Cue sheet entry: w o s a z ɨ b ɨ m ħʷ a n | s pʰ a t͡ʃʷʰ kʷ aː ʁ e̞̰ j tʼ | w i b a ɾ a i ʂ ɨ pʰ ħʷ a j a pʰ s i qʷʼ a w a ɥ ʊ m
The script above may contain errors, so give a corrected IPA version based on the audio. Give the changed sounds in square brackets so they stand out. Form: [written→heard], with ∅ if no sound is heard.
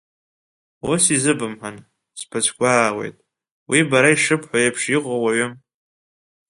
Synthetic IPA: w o s [a→i] z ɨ b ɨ m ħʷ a n | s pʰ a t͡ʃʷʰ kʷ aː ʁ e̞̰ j tʼ | w i b a ɾ a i ʂ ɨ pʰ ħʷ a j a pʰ [s→ʂ] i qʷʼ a w a ɥ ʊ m